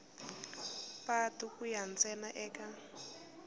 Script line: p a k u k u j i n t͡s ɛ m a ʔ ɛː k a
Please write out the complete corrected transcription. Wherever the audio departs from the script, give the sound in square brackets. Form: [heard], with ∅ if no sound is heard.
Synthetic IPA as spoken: p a [t] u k u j [a] n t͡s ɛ [n] a ʔ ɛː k a